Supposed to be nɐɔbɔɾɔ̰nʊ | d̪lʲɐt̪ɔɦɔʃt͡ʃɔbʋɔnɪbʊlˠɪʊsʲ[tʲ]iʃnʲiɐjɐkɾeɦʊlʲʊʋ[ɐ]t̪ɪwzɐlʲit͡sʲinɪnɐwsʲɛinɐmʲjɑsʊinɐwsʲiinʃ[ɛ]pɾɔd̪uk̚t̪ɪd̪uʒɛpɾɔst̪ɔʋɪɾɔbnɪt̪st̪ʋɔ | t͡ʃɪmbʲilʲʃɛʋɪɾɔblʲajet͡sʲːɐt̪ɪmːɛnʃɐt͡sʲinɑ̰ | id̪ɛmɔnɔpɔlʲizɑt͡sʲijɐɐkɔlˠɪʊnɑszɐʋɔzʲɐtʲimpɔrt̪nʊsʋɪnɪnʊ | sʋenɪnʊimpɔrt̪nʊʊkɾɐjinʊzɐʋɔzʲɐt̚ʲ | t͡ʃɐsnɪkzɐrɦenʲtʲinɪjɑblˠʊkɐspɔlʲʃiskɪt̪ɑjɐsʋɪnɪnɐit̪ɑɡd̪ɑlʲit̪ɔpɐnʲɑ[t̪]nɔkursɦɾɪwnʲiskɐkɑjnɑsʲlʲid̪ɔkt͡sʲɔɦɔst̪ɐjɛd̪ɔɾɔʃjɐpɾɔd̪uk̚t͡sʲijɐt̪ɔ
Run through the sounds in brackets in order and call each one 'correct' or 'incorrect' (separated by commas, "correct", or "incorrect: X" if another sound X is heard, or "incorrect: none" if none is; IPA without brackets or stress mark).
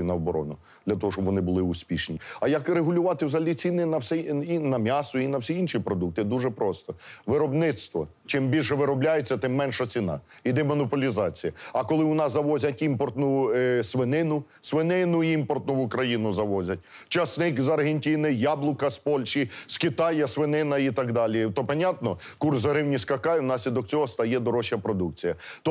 incorrect: pʲ, incorrect: ɑ, incorrect: i, correct